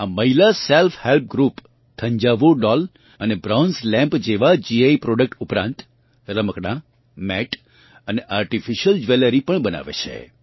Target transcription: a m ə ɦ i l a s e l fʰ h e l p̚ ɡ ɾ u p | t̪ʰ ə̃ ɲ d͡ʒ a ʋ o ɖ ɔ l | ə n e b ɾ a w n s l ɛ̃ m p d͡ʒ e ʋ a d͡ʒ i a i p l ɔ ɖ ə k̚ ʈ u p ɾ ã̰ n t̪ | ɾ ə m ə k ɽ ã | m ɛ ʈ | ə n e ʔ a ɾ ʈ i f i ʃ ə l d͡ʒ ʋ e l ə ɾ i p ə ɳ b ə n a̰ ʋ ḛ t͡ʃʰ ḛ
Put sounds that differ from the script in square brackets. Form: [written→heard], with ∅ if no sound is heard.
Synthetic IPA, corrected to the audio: a m ə ɦ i l a s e l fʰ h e l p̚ ɡ ɾ u p | t̪ʰ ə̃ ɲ d͡ʒ a ʋ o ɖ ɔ l | ə n e b ɾ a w n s l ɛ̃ m p d͡ʒ e ʋ a d͡ʒ i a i p [l→ɾ] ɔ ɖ ə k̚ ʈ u p ɾ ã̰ n t̪ | ɾ ə m ə k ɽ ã | m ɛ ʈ | ə n e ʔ a ɾ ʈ i f i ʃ ə l d͡ʒ ʋ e l ə ɾ i p ə ɳ b ə n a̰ ʋ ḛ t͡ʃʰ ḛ